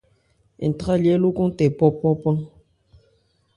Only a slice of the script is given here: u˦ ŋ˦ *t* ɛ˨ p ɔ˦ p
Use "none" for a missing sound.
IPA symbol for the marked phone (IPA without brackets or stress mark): t